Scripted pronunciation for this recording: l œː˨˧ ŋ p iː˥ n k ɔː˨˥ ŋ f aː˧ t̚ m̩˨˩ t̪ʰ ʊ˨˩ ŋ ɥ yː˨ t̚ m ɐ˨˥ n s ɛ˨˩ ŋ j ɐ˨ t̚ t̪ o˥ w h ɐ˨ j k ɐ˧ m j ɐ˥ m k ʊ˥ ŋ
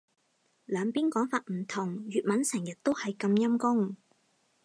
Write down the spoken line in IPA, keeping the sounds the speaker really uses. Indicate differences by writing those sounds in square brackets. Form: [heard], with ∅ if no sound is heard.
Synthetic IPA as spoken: l œː˨˧ ŋ p iː˥ n k ɔː˨˥ ŋ f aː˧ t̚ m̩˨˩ t̪ʰ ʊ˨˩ ŋ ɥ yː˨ t̚ m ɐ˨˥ n s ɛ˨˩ ŋ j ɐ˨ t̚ t̪ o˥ w h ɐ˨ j k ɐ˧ m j ɐ˥ m k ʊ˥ ŋ